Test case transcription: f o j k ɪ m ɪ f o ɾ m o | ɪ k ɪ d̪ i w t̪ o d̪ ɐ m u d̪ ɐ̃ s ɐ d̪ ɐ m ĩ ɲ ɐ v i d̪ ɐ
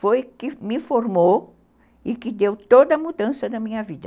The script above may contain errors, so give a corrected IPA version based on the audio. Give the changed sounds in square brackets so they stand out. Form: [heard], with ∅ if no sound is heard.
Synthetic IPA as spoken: f o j k ɪ m ɪ f o ɾ m o | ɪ k ɪ d̪ [e] w t̪ o d̪ ɐ m u d̪ ɐ̃ s ɐ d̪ ɐ m ĩ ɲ ɐ v i d̪ ɐ